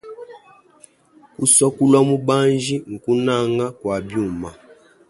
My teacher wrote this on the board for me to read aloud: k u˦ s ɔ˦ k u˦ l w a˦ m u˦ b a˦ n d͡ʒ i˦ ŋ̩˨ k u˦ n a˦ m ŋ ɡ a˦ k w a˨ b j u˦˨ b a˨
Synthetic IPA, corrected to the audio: k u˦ s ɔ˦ k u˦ l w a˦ m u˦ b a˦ n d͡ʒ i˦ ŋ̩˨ k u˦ n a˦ ŋ ɡ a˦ k w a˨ b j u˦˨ m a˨

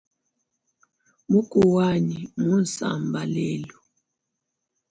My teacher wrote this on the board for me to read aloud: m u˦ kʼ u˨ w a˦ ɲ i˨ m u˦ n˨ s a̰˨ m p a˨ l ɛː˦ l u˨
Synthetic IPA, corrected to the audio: m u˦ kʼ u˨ w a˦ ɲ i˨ m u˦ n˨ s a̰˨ m b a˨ l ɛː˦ l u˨

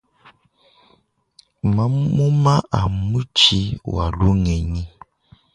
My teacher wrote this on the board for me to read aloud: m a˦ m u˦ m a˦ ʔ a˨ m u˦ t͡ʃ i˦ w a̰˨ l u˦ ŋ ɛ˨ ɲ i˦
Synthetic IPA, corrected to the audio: m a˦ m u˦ m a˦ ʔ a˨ m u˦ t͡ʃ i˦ w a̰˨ l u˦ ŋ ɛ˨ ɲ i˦

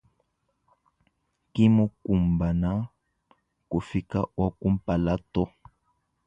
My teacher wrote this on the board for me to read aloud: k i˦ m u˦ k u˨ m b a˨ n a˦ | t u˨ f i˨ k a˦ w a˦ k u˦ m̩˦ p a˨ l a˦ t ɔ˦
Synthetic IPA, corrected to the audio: k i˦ m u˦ k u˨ m b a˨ n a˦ | k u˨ f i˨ k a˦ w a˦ k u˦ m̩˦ p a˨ l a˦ t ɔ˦

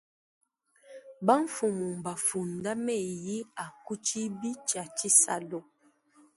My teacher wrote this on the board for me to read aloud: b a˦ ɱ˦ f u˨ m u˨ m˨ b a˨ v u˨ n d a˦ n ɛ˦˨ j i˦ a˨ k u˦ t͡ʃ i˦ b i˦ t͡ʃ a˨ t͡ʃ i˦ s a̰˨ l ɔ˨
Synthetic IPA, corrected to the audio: b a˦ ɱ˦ f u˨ m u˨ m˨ b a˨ f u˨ n d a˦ m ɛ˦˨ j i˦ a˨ k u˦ t͡ʃ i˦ b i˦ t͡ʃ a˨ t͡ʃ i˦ s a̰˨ l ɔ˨

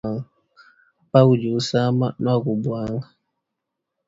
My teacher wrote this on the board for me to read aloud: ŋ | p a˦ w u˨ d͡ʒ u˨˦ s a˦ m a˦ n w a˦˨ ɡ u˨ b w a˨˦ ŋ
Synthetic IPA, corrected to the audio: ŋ | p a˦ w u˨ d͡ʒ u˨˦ s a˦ m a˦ n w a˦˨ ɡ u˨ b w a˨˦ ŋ

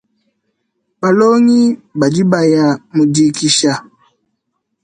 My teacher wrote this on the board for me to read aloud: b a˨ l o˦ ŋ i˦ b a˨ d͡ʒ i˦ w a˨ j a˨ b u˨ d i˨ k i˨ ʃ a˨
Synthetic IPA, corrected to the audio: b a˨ l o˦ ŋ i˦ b a˨ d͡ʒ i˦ b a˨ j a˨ m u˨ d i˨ k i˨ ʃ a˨

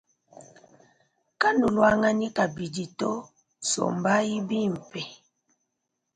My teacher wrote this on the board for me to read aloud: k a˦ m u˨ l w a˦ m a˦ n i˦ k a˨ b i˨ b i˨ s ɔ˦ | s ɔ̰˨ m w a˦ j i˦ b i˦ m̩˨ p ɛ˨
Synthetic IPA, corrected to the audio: k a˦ n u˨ l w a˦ ŋ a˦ n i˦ k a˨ b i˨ d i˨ t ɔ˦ | s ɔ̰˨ m b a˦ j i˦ b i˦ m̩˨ p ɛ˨

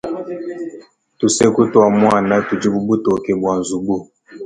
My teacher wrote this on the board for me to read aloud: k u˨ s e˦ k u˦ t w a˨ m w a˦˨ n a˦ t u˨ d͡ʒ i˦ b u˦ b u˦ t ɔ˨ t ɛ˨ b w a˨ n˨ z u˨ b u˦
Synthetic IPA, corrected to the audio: t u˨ s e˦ k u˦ t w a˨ m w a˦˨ n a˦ t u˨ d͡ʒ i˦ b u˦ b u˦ t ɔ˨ k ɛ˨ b w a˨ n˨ z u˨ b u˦

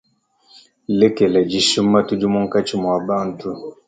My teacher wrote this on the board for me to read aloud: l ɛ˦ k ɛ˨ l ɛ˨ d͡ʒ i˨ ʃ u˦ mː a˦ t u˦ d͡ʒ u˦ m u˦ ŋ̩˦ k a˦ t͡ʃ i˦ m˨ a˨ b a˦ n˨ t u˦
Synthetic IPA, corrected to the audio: l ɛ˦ k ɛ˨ l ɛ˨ d͡ʒ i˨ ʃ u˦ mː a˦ t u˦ d͡ʒ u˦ m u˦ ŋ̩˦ k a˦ t͡ʃ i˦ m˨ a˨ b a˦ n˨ t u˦

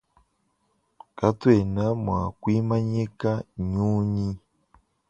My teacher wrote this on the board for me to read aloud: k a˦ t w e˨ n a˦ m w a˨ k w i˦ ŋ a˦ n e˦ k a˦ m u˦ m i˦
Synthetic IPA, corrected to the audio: k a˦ t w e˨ n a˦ m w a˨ k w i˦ m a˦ ɲ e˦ k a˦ ɲ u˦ ɲ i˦

